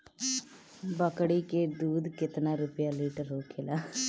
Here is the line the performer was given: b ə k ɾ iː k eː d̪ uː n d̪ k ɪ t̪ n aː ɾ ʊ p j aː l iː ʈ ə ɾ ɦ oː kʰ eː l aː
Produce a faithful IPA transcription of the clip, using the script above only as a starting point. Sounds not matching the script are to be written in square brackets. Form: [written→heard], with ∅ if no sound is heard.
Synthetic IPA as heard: b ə k [ɾ→ɽ] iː k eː d̪ uː [n→∅] d̪ k ɪ t̪ n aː ɾ ʊ p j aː l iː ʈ ə ɾ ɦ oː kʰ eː l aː